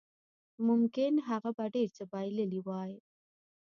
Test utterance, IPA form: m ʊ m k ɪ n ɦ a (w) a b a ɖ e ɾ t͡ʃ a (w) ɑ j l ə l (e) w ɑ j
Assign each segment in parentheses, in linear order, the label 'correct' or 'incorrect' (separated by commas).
incorrect, incorrect, incorrect